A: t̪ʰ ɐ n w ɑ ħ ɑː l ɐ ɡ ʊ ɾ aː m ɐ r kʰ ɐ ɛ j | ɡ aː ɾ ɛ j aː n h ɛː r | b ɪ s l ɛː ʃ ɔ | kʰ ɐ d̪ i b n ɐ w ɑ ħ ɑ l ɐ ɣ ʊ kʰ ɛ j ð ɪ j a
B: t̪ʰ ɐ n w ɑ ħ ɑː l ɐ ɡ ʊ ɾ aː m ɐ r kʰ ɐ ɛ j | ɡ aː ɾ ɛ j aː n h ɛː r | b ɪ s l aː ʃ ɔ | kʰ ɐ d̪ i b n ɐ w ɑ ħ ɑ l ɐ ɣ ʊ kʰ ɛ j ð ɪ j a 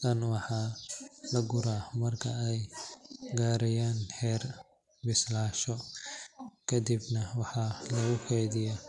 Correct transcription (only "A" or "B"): B